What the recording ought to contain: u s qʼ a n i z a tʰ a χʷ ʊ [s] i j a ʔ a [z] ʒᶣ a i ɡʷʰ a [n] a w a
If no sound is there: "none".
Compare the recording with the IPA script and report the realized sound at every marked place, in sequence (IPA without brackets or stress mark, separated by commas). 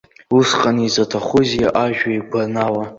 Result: z, none, n